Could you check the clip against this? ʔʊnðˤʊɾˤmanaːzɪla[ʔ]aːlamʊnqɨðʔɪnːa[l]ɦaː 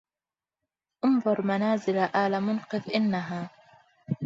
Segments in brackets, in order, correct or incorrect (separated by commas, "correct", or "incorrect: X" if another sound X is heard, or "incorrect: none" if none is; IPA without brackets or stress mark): correct, incorrect: none